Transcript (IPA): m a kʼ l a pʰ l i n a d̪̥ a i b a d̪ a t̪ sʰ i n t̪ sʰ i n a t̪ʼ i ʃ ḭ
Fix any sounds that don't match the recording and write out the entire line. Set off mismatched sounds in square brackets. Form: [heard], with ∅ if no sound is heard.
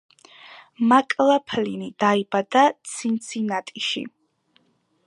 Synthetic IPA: m a kʼ l a pʰ l i n [i] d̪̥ a i b a d̪ a t̪ sʰ i n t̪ sʰ i n a t̪ʼ i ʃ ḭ